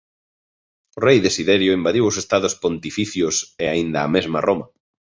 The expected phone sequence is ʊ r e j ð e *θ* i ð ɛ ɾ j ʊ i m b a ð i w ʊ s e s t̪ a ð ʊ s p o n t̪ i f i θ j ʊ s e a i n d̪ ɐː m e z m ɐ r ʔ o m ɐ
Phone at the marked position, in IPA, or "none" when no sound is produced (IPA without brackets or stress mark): s